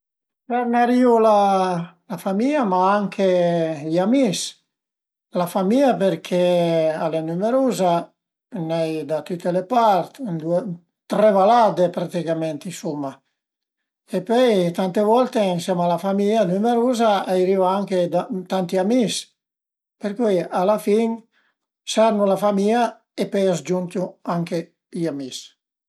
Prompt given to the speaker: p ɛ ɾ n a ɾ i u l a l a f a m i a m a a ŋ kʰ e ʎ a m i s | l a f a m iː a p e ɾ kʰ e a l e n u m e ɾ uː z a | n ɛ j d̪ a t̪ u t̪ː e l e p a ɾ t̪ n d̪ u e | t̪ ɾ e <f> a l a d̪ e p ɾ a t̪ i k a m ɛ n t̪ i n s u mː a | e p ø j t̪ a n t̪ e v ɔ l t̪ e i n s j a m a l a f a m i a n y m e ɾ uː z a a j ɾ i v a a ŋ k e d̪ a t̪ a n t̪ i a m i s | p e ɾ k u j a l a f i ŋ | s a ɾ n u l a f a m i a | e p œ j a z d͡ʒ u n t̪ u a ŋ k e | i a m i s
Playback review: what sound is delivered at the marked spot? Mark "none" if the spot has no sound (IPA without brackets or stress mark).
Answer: v